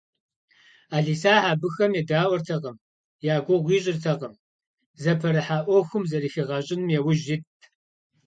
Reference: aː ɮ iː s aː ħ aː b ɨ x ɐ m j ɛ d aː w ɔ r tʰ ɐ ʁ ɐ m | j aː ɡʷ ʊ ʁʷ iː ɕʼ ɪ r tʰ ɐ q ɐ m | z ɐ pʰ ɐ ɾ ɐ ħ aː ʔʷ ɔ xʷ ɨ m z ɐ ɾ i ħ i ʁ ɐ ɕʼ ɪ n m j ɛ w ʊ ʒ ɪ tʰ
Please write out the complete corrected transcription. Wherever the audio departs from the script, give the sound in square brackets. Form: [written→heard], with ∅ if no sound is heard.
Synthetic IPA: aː ɮ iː s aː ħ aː b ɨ x ɐ m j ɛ d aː w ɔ r tʰ ɐ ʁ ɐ m | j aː ɡʷ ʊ ʁʷ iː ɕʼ ɪ r tʰ ɐ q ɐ m | z ɐ pʰ ɐ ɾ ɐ ħ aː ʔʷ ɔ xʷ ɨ m z ɐ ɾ i [ħ→x] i ʁ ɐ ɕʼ ɪ n m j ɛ w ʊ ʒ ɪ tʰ